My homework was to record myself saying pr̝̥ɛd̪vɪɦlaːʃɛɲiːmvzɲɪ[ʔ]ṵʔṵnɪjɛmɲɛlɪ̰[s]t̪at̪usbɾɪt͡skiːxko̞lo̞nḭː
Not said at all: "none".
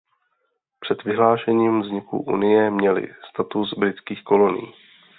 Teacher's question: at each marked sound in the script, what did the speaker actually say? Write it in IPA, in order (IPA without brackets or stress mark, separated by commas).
k, s